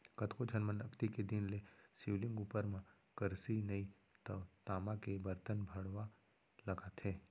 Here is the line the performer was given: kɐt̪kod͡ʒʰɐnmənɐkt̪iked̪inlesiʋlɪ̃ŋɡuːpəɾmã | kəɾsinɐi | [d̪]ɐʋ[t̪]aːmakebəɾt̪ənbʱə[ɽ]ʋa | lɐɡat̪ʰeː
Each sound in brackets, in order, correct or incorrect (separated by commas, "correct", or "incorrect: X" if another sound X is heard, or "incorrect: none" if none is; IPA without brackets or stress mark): incorrect: t̪, correct, correct